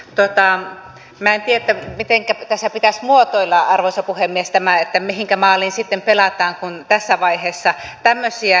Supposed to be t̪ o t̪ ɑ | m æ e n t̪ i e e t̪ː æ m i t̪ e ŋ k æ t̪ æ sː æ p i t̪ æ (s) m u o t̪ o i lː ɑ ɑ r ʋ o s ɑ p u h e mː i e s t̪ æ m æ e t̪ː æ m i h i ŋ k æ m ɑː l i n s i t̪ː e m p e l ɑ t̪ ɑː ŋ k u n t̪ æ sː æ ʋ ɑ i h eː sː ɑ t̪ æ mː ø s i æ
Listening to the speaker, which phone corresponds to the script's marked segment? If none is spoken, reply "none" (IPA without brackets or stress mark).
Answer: s